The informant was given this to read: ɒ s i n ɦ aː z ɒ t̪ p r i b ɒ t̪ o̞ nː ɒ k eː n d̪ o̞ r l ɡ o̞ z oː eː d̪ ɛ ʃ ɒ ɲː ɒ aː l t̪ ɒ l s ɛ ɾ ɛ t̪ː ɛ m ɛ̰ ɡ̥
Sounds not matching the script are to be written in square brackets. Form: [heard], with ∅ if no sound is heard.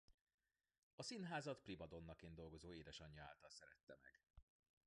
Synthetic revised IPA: ɒ s i n ɦ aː z ɒ t̪ p r i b ɒ [d̪] o̞ nː ɒ k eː n d̪ o̞ [∅] l ɡ o̞ z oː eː d̪ ɛ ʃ ɒ ɲː ɒ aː l t̪ ɒ l s ɛ ɾ ɛ t̪ː ɛ m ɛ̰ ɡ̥